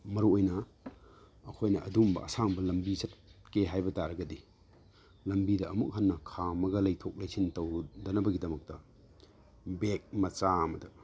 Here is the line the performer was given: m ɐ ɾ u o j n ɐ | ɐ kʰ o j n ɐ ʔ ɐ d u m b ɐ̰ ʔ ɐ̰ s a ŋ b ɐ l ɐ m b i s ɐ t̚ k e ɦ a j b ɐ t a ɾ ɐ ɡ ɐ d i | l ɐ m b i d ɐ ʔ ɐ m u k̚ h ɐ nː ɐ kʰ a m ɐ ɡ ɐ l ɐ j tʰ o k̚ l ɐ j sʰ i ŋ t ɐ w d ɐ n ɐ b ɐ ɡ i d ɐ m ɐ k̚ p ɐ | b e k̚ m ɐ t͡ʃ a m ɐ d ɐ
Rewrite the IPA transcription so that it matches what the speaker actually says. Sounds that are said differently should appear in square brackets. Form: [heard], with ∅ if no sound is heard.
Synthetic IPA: m ɐ ɾ u o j n ɐ | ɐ kʰ o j n ɐ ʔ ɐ d u m b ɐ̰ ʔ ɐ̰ s a ŋ b ɐ l ɐ m b i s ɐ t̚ k e ɦ a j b ɐ t a ɾ ɐ ɡ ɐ d i | l ɐ m b i d ɐ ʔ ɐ m u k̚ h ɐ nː ɐ kʰ a m ɐ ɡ ɐ l ɐ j tʰ o k̚ l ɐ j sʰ i [n] t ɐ w d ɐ n ɐ b ɐ ɡ i d ɐ m ɐ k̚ [t] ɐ | b e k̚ m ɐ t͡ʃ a m ɐ d ɐ